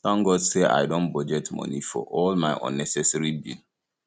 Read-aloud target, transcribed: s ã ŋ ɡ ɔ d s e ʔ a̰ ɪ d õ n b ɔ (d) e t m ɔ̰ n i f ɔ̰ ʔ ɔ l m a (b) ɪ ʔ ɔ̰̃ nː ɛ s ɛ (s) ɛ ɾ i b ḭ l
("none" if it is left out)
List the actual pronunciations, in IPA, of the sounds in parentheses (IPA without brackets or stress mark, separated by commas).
d͡ʒ, none, s